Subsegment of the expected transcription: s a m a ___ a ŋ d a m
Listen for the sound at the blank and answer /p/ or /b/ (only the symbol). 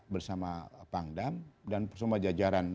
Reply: p